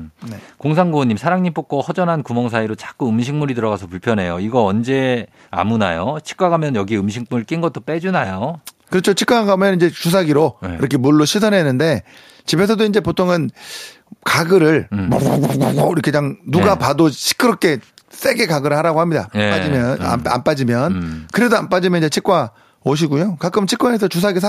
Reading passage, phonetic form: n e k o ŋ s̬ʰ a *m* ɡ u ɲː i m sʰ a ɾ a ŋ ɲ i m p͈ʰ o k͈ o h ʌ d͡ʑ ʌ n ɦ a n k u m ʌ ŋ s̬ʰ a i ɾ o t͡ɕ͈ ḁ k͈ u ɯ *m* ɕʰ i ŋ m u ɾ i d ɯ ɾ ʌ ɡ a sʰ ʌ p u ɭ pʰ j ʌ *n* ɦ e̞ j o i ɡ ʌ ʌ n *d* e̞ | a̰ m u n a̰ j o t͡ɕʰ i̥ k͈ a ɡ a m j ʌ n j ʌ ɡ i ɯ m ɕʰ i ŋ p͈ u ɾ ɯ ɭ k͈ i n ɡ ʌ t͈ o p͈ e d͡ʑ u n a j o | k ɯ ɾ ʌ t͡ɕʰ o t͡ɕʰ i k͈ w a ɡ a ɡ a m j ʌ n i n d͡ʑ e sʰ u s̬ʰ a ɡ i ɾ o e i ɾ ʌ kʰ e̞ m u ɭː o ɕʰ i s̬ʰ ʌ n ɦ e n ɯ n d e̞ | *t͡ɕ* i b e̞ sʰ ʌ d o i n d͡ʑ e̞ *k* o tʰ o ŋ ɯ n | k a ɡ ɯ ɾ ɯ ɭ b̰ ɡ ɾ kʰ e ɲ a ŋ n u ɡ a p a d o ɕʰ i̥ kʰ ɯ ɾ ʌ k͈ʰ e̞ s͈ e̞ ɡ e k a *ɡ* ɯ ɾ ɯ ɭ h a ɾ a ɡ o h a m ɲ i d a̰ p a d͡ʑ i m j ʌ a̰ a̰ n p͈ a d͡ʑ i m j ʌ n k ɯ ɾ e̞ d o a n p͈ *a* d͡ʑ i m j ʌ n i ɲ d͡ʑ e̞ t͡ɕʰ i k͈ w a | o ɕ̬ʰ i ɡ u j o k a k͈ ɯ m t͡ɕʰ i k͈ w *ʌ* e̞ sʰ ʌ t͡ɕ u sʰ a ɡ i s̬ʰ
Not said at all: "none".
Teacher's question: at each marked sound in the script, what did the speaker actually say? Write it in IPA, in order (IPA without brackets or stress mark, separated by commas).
ŋ, m, n, d͡ʑ, t͡ɕ, p, ɡ, a, a